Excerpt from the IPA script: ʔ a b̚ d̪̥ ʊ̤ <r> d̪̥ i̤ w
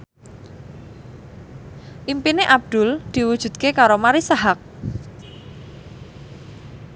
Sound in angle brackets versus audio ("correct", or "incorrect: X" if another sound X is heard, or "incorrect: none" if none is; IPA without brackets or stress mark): incorrect: l